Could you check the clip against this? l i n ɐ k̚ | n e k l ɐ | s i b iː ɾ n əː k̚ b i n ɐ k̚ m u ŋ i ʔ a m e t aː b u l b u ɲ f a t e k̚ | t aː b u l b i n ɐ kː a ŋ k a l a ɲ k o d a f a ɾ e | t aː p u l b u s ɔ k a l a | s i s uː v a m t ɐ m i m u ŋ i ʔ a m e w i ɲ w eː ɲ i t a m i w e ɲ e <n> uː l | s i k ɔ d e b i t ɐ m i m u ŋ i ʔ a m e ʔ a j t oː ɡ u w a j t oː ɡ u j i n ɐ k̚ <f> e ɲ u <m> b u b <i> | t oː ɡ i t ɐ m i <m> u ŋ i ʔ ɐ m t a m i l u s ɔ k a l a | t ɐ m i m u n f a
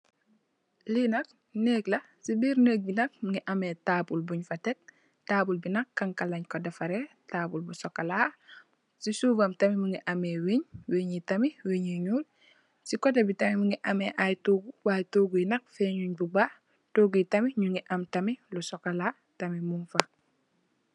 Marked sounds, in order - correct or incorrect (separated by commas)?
incorrect, correct, incorrect, incorrect, incorrect